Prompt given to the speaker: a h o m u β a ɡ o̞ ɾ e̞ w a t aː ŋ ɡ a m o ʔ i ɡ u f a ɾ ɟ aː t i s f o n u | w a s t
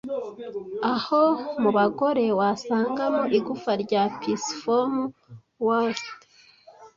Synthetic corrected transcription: a h o m u β a ɡ o̞ ɾ e̞ w a s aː ŋ ɡ a m o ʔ i ɡ u f a ɾ ɟ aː p i s f o m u | w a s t